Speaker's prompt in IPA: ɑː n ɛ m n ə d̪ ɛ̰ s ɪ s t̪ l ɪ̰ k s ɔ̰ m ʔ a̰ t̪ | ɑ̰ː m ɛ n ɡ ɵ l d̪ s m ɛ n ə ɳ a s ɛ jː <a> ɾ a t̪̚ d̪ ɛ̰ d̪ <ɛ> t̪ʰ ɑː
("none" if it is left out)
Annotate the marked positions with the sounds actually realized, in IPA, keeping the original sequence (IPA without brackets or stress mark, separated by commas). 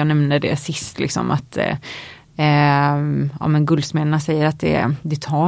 ə, ɛ